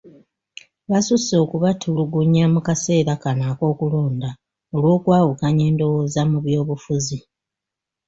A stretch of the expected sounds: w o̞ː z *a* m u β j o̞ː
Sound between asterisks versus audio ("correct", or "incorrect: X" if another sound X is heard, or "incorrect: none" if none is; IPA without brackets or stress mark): correct